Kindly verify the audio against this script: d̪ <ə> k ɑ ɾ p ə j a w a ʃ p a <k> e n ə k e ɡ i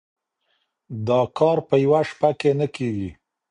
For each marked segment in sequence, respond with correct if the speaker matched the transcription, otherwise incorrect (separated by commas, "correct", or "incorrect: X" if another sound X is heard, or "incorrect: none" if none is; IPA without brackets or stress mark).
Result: incorrect: ɑ, correct